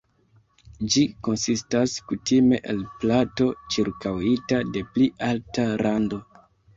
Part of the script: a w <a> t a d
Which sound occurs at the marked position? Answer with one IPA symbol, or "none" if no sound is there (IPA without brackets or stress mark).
i